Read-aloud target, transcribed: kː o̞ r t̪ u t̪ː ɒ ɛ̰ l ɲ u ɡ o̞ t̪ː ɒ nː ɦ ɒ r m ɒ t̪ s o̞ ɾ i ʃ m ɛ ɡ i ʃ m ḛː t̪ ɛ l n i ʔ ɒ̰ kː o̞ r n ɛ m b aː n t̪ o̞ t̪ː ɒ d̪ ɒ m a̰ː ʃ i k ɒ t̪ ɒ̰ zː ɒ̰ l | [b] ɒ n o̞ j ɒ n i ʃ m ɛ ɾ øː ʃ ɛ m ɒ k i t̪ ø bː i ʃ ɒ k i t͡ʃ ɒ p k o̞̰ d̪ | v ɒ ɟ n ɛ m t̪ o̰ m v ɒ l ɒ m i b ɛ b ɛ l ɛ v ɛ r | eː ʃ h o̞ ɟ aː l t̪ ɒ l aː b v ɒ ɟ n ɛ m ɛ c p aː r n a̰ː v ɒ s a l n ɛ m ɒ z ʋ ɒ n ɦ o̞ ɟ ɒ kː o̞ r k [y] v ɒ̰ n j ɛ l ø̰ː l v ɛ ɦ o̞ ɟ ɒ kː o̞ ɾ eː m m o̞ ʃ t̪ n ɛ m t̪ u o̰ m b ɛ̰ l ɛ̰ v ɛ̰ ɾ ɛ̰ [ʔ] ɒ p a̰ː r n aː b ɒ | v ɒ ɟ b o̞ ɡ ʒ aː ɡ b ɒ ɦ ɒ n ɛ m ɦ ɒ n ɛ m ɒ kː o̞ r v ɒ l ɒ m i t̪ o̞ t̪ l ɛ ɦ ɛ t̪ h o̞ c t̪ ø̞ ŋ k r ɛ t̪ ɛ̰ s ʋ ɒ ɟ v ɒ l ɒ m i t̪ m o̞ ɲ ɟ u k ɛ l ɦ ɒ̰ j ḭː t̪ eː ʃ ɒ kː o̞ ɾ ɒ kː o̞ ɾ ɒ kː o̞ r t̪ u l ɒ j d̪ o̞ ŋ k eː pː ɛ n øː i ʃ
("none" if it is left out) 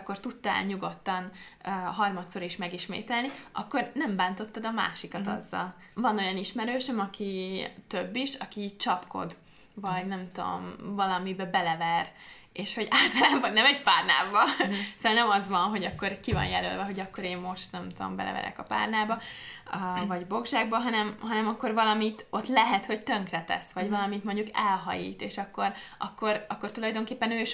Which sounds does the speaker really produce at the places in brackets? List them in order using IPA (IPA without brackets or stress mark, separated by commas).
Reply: v, i, k